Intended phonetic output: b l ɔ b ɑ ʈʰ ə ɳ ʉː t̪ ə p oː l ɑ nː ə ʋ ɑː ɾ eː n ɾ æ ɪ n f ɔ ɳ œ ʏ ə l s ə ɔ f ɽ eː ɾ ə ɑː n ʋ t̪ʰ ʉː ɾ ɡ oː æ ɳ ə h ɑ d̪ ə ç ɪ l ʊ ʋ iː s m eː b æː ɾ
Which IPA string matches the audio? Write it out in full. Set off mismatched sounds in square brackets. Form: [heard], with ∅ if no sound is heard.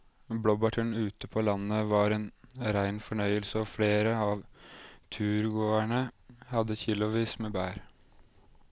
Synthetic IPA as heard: b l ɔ b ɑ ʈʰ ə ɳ ʉː t̪ ə [pʰ] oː l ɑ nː ə ʋ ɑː ɾ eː n ɾ æ ɪ n f ɔ ɳ œ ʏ ə l s ə ɔ f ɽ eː ɾ ə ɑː [∅] ʋ t̪ʰ ʉː ɾ ɡ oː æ ɳ ə h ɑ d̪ ə ç ɪ l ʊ ʋ iː s m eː b æː ɾ